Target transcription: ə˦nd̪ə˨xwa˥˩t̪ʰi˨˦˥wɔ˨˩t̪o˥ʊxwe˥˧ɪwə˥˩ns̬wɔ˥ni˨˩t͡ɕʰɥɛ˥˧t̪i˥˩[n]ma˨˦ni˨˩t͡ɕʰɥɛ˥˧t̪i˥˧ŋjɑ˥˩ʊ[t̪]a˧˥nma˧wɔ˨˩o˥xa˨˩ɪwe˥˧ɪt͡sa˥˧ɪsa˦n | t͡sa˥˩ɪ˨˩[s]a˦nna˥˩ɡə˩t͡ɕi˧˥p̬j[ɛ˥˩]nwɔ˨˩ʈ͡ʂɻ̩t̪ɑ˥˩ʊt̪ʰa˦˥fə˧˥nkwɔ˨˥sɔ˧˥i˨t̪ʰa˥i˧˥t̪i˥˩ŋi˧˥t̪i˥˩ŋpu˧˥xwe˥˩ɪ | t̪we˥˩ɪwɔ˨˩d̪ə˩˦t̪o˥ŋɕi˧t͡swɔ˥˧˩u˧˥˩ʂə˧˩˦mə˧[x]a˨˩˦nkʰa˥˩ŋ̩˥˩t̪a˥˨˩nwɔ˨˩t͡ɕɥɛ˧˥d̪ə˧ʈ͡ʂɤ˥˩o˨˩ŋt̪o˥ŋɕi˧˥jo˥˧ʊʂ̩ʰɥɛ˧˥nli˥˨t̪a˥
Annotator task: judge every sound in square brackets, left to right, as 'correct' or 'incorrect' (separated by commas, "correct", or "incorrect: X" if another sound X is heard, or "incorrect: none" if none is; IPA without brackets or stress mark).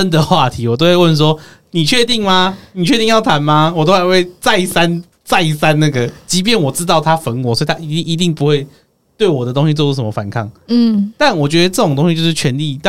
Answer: incorrect: ŋ, incorrect: t̪ʰ, correct, correct, incorrect: f